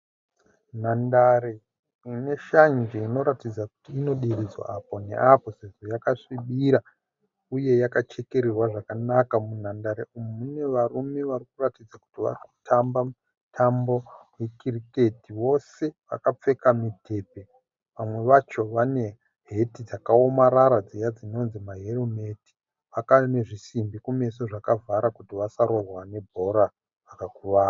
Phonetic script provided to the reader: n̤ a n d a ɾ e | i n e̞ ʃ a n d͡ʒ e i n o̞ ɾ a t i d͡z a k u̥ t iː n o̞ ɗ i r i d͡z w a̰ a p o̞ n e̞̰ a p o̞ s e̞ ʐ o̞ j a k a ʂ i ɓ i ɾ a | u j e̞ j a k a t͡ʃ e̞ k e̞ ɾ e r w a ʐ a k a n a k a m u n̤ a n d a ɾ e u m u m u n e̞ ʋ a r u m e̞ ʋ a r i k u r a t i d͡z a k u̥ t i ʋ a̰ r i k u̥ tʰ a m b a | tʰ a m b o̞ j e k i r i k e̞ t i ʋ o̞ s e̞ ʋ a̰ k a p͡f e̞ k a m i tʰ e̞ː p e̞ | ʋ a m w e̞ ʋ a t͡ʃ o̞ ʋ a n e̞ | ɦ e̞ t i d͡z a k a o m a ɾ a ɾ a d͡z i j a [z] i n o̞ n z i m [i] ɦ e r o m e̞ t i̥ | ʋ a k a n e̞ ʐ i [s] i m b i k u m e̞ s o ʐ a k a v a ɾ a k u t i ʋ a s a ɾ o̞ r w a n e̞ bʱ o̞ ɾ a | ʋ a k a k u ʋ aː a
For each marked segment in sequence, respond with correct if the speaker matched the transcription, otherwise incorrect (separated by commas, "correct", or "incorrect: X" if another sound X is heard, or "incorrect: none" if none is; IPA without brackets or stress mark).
incorrect: d͡z, incorrect: a, correct